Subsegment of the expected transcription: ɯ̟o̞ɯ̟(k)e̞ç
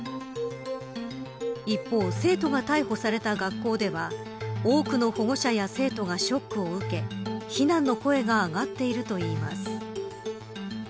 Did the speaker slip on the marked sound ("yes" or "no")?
no